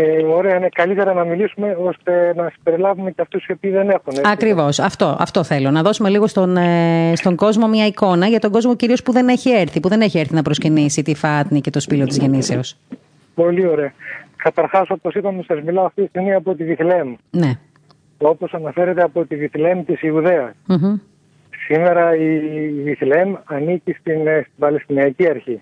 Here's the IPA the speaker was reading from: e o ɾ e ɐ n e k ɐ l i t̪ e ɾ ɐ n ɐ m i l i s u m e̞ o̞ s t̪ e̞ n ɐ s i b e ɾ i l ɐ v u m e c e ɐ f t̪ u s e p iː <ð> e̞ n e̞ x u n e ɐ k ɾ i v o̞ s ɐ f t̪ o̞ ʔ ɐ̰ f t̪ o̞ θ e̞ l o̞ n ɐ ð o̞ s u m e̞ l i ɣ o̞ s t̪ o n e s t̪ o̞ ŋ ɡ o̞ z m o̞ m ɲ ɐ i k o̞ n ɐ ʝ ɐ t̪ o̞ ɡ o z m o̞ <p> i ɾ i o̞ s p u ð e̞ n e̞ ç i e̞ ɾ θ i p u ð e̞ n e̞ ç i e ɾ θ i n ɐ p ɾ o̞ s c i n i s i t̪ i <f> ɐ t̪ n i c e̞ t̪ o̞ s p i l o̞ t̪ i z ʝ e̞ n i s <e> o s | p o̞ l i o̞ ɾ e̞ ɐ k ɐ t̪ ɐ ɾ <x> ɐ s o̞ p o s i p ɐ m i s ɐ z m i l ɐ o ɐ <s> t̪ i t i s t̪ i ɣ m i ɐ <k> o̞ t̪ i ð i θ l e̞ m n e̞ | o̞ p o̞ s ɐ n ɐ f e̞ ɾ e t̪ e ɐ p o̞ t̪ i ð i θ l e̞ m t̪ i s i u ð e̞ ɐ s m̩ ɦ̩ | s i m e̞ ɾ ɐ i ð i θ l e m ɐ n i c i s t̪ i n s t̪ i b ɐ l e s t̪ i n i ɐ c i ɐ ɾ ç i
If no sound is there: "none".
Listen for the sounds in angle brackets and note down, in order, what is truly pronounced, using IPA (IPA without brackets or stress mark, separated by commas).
ð, c, f, e, x, f, p